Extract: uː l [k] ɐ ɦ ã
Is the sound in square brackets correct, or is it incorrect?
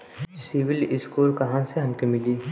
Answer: correct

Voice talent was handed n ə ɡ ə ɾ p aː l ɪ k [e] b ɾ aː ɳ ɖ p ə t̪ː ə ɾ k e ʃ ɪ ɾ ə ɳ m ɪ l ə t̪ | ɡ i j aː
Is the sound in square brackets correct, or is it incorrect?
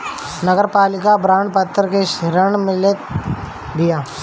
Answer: incorrect: a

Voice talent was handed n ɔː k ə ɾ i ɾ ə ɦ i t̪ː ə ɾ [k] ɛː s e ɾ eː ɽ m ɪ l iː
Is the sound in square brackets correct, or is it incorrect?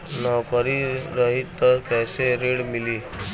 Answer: correct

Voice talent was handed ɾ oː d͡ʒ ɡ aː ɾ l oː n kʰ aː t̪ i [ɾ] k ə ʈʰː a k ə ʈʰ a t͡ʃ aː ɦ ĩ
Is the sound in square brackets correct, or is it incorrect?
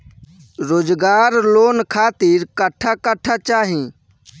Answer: correct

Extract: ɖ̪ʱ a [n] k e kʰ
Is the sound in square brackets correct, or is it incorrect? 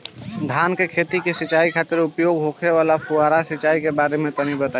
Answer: correct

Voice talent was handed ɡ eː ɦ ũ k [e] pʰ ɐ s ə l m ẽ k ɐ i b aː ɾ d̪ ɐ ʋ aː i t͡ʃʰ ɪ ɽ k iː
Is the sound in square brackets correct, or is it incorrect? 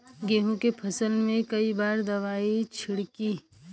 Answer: correct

